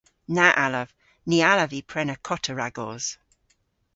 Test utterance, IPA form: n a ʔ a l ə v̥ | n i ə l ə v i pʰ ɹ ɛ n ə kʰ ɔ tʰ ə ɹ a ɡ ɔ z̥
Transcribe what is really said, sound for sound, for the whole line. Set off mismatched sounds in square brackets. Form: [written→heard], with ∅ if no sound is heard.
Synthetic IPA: n a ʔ a l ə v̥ | n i [ə→a] l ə v i pʰ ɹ ɛ n ə kʰ ɔ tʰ ə ɹ a ɡ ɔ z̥